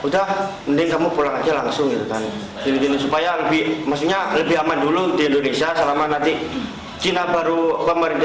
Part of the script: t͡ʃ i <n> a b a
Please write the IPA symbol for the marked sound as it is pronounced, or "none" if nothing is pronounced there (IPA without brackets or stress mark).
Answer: n